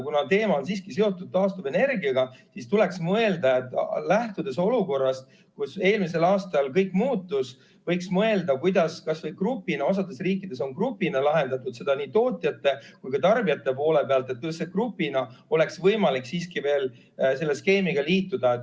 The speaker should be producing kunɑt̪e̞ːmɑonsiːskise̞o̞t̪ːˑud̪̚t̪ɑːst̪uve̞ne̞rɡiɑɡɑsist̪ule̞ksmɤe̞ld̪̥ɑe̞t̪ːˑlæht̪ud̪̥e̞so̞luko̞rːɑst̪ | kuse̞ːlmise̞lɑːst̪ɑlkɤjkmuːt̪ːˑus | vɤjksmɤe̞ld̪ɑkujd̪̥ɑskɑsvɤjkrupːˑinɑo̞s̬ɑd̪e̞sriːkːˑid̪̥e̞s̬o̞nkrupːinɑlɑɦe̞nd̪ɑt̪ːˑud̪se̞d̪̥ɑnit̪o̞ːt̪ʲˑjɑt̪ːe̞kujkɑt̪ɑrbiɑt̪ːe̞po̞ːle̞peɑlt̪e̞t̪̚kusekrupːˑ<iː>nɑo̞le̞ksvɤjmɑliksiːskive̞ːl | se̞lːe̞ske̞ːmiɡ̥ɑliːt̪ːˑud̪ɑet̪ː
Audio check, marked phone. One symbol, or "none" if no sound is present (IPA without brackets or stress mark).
i